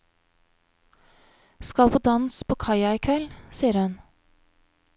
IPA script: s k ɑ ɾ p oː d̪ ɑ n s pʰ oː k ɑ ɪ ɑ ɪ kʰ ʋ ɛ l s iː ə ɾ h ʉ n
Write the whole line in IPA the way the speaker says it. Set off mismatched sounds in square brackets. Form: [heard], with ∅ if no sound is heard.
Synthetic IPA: s k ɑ [l] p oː d̪ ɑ n s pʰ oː [kʰ] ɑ ɪ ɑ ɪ kʰ ʋ ɛ l s iː ə ɾ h ʉ n